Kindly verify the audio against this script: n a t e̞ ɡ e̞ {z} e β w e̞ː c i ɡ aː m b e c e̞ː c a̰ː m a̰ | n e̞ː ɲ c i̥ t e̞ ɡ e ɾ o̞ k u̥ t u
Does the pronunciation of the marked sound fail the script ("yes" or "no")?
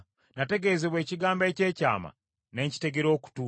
no